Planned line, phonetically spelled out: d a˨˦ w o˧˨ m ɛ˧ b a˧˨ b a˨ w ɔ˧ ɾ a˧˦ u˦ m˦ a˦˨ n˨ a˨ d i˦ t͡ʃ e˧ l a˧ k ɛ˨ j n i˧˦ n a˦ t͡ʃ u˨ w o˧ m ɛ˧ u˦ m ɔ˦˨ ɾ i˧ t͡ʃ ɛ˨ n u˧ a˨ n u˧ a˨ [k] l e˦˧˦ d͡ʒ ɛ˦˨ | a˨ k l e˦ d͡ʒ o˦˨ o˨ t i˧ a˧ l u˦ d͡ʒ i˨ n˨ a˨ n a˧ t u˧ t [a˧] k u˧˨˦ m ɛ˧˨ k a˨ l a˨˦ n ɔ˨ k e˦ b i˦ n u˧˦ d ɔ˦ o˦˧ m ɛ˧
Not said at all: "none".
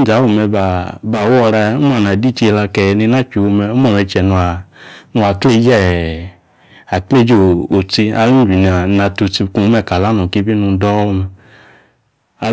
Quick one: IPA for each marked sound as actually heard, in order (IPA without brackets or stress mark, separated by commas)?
k, i˧